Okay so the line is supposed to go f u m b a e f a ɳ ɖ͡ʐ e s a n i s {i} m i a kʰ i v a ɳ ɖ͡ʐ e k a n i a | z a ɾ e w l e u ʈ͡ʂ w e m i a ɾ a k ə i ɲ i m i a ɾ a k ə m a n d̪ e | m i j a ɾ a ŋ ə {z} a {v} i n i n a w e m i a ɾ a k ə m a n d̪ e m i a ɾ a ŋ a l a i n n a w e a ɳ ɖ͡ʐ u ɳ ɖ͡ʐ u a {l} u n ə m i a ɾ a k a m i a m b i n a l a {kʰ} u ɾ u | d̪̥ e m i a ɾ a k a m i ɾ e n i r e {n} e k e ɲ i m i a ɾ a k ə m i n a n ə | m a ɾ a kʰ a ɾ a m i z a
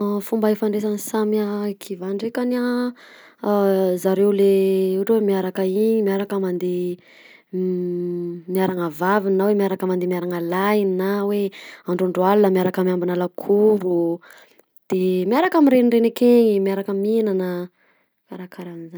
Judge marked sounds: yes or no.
no, no, yes, yes, yes, yes

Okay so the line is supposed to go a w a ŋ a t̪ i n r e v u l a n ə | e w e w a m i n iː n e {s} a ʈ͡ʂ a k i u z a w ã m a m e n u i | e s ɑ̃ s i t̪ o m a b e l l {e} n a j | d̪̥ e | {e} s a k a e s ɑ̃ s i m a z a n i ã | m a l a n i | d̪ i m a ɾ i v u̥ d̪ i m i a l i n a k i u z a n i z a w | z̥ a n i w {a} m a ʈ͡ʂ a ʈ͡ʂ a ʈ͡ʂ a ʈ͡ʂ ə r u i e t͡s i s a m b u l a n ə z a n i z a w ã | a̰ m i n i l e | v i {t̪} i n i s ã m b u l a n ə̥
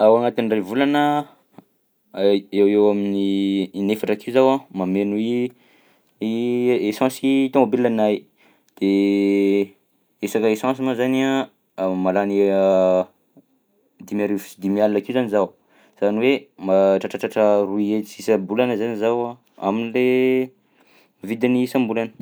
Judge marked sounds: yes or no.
no, no, yes, no, no

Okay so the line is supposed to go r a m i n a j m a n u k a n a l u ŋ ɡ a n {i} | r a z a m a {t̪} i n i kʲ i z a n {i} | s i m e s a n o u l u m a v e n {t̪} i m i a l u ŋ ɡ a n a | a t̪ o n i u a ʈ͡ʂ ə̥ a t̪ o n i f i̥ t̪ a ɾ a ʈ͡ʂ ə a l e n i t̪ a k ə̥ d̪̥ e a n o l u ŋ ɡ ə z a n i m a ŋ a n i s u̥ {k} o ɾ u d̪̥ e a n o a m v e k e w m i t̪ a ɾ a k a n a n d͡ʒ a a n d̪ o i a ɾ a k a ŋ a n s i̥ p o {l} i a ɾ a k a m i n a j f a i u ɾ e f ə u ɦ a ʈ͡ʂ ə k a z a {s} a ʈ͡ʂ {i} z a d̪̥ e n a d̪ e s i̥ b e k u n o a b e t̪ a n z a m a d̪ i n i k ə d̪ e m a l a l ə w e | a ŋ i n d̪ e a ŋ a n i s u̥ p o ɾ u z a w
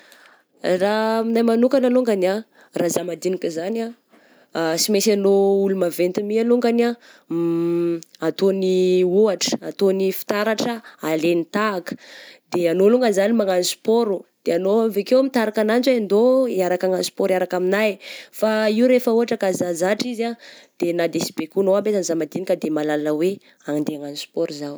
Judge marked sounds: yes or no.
no, no, no, yes, no, no, no, yes

